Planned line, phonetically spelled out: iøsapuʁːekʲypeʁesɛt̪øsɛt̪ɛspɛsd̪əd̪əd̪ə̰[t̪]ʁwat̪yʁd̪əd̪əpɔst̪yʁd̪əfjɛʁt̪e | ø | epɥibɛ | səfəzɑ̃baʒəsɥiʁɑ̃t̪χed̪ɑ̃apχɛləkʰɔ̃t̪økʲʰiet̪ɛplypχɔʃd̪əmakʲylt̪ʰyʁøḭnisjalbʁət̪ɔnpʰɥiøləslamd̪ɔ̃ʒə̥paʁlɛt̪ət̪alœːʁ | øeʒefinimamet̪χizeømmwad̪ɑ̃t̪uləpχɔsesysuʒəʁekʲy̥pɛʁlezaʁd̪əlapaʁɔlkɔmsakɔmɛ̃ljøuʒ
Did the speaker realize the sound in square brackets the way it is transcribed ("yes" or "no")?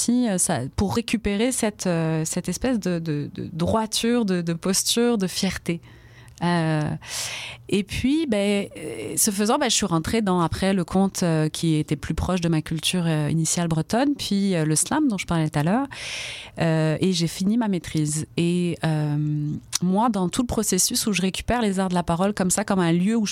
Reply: no